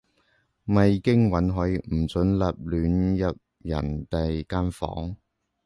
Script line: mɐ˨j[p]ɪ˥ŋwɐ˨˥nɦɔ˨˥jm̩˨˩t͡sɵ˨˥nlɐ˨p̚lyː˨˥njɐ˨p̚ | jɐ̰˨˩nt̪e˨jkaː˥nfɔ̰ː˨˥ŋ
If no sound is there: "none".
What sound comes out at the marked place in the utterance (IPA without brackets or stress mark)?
k